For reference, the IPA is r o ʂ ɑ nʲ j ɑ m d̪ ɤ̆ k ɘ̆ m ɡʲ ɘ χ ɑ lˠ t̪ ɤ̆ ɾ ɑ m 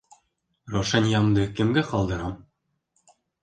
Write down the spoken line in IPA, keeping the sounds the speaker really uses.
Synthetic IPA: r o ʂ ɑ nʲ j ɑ m d̪ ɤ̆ k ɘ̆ m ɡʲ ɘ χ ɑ lˠ d̪ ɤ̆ ɾ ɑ m

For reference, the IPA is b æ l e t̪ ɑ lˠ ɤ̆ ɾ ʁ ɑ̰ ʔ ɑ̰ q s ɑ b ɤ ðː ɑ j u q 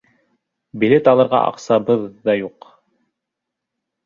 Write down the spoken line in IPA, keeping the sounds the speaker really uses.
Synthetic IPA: b i l e t̪ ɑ lˠ ɤ̆ ɾ ʁ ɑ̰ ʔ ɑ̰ q s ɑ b ɤ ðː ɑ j u q

